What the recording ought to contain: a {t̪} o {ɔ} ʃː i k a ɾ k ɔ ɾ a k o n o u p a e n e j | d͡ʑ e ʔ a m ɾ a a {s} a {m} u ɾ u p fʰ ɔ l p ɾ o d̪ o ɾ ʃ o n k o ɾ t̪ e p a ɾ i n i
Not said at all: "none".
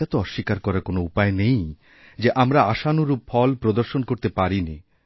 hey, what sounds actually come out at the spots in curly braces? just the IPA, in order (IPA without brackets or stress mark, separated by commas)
t̪, ɔ, ʃ, n